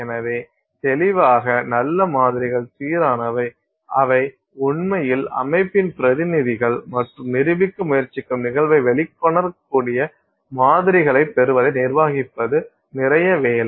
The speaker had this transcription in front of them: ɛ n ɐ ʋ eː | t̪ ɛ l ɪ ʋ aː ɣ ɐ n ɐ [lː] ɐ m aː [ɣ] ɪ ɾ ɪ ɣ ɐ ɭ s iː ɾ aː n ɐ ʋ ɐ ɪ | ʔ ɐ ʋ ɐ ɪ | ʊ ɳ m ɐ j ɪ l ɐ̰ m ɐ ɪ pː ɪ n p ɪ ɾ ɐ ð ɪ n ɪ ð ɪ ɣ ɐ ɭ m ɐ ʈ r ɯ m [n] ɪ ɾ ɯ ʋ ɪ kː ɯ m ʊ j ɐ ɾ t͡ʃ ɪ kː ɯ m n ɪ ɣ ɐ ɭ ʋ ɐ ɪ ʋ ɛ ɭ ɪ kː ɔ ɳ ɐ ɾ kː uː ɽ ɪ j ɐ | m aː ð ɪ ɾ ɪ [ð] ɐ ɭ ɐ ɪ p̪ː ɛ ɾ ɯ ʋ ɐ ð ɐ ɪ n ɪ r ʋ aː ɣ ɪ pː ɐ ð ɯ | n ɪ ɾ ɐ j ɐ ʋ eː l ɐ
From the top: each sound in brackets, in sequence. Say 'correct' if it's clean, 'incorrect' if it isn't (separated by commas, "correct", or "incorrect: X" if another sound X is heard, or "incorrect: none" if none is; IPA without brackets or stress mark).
correct, incorrect: ð, correct, incorrect: ɣ